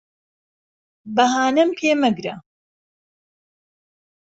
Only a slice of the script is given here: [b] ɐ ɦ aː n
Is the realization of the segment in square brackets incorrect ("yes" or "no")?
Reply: no